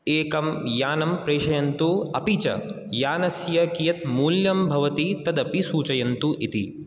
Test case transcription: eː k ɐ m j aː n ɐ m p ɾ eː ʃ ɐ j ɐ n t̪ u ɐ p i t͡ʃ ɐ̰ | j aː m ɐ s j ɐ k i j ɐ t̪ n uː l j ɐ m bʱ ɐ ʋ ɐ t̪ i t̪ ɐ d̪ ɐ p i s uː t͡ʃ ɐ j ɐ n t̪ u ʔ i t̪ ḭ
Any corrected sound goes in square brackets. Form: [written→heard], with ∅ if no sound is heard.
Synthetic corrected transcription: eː k ɐ m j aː n ɐ m p ɾ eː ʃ ɐ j ɐ n t̪ u ɐ p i t͡ʃ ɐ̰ | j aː [m→n] ɐ s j ɐ k i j ɐ t̪ [n→m] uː l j ɐ m bʱ ɐ ʋ ɐ t̪ i t̪ ɐ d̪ ɐ p i s uː t͡ʃ ɐ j ɐ n t̪ u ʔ i t̪ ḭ